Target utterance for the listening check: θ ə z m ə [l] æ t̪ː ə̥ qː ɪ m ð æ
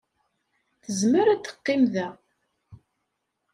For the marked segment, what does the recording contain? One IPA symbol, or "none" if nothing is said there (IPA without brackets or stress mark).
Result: ɾ